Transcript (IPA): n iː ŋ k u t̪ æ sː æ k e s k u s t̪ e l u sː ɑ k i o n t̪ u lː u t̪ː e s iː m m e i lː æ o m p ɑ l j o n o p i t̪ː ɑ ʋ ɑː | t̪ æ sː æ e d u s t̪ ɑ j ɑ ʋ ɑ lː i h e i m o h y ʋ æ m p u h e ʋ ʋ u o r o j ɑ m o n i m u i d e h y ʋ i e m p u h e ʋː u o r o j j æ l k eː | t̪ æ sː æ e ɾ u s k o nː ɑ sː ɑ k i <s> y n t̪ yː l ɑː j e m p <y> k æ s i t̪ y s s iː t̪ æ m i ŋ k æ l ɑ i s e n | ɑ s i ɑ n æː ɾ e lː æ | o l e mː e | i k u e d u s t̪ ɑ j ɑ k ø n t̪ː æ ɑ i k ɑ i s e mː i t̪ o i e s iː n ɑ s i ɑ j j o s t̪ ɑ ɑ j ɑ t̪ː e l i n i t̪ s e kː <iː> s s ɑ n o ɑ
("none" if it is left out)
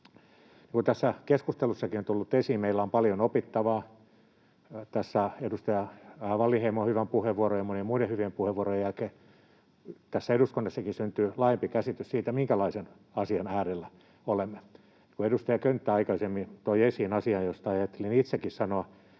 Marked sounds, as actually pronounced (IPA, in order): s, i, i

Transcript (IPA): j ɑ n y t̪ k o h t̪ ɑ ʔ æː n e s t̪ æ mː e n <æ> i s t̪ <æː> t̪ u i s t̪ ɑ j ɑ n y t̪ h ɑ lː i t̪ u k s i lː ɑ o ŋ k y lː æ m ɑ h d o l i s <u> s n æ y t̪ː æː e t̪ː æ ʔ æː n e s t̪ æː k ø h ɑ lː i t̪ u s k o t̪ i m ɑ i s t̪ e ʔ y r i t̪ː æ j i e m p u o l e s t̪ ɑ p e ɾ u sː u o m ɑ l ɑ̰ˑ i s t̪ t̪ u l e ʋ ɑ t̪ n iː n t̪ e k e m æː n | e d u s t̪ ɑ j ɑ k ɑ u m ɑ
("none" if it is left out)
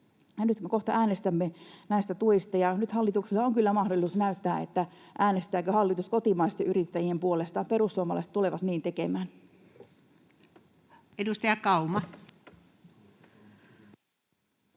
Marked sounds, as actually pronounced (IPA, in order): æ, æ, u

